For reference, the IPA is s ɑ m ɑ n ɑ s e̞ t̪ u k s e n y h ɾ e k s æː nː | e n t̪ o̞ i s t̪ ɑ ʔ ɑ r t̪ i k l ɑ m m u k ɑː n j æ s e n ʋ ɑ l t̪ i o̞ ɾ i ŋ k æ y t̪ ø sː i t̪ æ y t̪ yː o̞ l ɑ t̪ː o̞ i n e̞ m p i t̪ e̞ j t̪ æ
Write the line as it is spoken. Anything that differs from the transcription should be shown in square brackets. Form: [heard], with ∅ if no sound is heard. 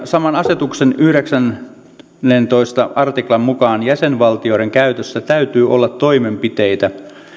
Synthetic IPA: s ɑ m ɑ n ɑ s e̞ t̪ u k s e n y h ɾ e k s [æ] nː | e n t̪ o̞ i s t̪ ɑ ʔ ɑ r t̪ i k l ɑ m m u k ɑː n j æ s e n ʋ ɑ l t̪ i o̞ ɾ [e] ŋ k æ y t̪ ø sː [æ] t̪ æ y t̪ yː o̞ [lː] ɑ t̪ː o̞ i [m] e̞ m p i t̪ e̞ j t̪ æ